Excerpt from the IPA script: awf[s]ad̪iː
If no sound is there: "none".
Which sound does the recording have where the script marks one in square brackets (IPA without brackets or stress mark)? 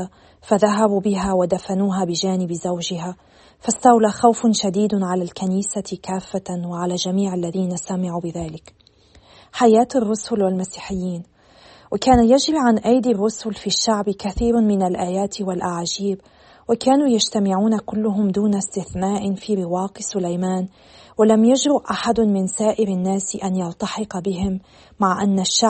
ʃ